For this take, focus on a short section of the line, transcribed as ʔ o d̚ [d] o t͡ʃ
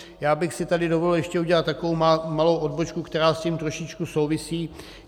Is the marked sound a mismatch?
yes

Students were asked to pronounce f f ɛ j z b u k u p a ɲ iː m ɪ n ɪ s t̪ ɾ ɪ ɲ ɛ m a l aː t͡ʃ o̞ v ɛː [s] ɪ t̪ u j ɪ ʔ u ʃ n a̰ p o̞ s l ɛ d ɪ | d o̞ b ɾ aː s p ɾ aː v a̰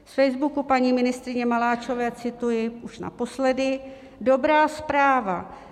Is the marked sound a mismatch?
yes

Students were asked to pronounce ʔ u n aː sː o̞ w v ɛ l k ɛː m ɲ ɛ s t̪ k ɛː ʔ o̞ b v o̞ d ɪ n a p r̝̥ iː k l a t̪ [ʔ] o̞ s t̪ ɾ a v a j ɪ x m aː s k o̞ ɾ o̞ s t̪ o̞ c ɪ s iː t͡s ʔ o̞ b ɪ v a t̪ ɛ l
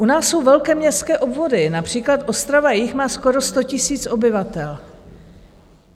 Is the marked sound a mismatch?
no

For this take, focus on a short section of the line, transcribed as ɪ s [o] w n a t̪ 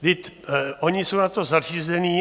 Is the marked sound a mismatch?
no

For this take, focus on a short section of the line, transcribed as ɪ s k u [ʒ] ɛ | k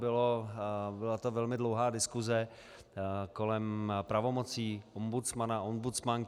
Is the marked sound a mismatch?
yes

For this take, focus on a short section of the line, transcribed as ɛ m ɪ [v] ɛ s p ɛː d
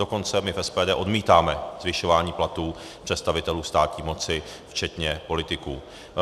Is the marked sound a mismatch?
yes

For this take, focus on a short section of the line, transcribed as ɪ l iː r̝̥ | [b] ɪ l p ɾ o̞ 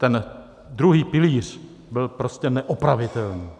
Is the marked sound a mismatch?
no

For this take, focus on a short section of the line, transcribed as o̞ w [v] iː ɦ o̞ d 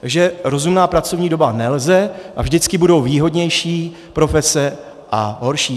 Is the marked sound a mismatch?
no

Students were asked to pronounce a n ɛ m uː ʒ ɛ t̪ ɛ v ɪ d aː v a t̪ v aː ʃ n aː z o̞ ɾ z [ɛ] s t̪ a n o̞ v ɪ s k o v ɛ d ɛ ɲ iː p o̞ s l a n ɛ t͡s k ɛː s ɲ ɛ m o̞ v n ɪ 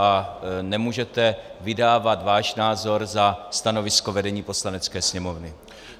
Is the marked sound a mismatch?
yes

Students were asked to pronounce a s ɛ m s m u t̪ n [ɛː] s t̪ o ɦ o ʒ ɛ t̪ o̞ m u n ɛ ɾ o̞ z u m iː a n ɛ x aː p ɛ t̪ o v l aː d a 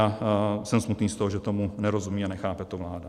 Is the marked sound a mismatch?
yes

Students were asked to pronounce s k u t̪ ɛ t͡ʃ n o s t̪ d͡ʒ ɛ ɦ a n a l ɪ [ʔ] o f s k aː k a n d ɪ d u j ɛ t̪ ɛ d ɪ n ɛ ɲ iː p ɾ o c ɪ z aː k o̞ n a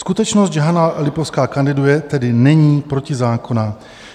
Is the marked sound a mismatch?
yes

